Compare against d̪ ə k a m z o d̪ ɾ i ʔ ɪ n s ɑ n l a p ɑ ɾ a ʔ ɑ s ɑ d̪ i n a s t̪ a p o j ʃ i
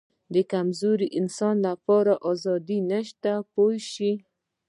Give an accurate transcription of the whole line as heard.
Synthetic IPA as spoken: d̪ ə k a m z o ɾ i ʔ ɪ n s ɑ n l a p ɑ ɾ a ʔ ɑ z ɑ d̪ i n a ʃ t̪ a p o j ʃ i